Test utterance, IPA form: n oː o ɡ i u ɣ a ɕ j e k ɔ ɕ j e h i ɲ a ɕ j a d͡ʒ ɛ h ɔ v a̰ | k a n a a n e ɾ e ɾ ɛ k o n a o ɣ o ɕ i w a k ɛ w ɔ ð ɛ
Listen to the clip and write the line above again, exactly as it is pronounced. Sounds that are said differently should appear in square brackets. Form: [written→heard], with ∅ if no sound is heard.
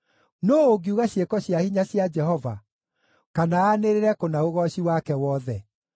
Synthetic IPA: n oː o ɡ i u ɣ a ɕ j e k ɔ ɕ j [e→a] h i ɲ a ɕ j a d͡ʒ ɛ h ɔ v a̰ | k a n a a n e ɾ e ɾ ɛ k o n a o ɣ [o→ɔ] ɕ i w a k ɛ w ɔ ð ɛ